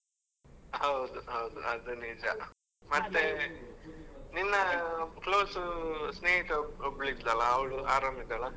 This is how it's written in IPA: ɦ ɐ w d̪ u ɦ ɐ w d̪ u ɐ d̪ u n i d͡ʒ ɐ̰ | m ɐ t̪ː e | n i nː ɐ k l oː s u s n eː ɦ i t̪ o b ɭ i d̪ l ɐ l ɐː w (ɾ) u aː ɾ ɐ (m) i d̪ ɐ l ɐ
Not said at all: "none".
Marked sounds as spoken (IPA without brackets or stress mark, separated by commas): ɭ, m